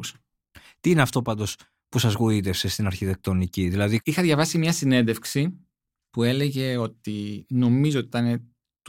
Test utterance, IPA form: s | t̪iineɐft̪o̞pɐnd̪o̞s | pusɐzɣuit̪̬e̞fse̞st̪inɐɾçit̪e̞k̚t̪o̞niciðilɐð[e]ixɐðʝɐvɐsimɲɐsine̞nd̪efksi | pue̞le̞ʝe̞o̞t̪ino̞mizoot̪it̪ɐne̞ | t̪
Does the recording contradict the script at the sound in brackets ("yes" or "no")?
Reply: yes